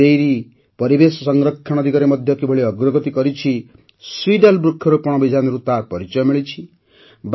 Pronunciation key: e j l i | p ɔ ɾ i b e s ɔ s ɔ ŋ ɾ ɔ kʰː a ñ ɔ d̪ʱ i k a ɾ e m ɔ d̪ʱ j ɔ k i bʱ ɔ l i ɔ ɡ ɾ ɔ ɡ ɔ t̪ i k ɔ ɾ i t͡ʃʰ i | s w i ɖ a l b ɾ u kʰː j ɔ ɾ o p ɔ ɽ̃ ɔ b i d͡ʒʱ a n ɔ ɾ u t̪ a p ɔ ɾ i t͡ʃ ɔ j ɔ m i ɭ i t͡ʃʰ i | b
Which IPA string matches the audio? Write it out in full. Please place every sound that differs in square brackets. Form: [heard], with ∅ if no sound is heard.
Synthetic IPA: e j [ɾ] i | p ɔ ɾ i b e s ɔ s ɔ ŋ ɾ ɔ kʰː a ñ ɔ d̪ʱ i k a ɾ e m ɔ d̪ʱ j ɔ k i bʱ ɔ [ɭ] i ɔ ɡ ɾ ɔ ɡ ɔ t̪ i k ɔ ɾ i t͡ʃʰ i | s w i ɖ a l b ɾ u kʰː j ɔ ɾ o p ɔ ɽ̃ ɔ b i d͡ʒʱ a n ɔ ɾ u t̪ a p ɔ ɾ i t͡ʃ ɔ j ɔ m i ɭ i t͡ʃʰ i | b